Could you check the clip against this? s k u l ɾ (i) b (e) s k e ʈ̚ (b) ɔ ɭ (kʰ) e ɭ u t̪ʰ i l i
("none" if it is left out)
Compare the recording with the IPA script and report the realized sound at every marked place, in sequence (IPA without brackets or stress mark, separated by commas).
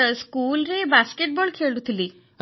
e, a, b, kʰ